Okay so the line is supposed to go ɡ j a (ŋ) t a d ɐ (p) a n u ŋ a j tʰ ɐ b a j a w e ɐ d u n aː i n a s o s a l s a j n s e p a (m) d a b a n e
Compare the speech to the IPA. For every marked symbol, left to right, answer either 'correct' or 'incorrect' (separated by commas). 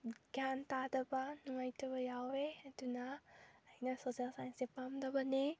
incorrect, incorrect, correct